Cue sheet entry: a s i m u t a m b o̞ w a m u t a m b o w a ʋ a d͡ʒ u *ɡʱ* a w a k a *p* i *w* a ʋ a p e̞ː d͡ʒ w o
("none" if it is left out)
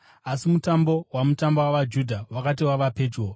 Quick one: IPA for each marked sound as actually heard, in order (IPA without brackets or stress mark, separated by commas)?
dʱ, t, w